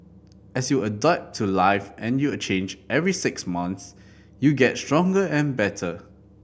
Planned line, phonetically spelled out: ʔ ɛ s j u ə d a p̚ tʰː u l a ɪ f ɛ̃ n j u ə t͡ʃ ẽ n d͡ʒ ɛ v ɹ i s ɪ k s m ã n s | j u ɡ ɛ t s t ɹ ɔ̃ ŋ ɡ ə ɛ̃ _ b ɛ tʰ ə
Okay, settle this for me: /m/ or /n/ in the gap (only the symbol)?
n